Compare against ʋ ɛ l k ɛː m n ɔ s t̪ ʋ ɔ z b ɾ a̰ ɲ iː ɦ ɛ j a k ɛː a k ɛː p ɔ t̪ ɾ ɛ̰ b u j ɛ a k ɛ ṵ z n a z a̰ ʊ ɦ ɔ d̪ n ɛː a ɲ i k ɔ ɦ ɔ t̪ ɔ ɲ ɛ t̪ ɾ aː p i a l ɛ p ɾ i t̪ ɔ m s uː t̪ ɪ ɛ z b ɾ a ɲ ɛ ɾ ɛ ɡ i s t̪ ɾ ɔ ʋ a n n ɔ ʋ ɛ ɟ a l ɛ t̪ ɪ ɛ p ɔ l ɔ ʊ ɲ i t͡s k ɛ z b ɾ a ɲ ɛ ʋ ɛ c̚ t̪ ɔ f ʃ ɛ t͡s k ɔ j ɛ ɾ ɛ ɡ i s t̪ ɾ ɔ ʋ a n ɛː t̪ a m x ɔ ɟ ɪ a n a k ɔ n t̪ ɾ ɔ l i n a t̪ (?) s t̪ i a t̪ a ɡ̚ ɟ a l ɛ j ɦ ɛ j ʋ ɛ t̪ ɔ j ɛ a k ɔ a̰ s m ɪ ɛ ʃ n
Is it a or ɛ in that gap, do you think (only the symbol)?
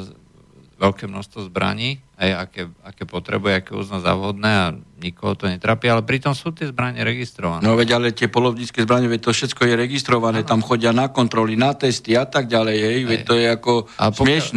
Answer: ɛ